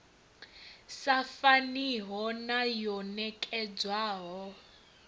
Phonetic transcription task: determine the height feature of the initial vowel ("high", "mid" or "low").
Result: low